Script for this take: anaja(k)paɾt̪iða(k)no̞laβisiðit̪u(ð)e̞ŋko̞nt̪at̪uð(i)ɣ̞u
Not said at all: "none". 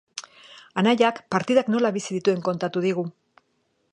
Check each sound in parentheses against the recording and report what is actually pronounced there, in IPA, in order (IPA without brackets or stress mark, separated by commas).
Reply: k, k, none, i